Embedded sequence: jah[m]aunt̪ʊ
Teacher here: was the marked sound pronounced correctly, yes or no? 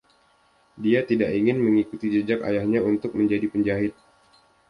no